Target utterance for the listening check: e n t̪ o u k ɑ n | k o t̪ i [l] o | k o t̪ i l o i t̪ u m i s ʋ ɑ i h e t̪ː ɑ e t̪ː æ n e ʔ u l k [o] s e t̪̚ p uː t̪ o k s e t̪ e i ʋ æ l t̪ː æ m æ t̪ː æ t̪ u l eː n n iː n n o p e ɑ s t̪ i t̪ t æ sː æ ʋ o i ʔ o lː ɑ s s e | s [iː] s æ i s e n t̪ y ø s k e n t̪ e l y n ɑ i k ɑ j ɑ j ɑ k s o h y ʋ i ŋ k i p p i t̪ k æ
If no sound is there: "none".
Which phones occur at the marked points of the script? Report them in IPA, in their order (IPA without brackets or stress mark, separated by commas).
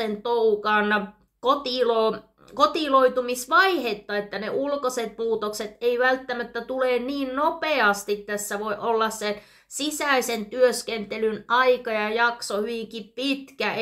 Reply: l, o, i